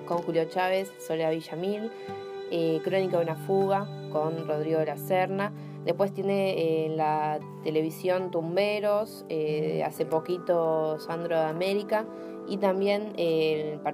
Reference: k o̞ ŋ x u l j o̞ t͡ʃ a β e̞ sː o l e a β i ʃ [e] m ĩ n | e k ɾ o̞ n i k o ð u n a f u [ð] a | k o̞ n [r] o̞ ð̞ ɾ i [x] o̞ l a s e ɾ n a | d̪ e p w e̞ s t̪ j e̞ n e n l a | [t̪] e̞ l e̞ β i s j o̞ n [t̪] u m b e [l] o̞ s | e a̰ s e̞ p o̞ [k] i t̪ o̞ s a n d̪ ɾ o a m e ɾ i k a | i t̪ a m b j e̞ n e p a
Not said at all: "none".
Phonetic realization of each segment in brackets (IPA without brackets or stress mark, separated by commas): a, ɣ, r, ɣ, t̪, t̪, ɾ, k